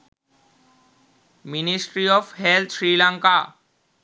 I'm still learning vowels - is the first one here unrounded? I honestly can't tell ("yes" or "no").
yes